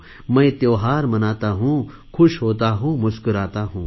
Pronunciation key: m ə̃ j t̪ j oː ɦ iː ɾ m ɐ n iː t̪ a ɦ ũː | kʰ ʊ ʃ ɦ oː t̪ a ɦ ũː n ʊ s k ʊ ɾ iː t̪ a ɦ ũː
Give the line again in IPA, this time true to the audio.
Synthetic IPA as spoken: m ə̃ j t̪ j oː ɦ aː ɾ m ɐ n aː t̪ a ɦ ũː | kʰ ʊ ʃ ɦ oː t̪ a ɦ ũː m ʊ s k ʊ ɾ aː t̪ a ɦ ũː